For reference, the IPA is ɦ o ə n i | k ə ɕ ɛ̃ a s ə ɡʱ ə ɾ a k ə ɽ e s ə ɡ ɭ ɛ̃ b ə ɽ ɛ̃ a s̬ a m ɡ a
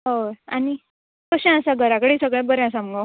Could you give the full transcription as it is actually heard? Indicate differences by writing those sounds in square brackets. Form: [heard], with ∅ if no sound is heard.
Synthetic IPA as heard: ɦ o [a] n i | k ə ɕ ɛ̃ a s [a] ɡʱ ə ɾ a k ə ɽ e s ə ɡ ɭ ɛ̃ b ə [ɾ] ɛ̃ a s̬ a m ɡ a